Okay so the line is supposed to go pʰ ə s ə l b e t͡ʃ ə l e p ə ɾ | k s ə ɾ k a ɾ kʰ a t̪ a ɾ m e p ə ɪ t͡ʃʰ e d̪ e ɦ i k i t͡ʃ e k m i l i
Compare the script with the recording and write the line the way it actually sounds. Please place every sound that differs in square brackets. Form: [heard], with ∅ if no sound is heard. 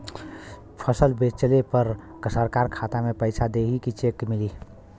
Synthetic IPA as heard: pʰ ə s ə l b e t͡ʃ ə l e p ə ɾ | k s ə ɾ k a ɾ kʰ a t̪ a [∅] m e p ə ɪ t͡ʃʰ [a] d̪ e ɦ i k i t͡ʃ e k m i l i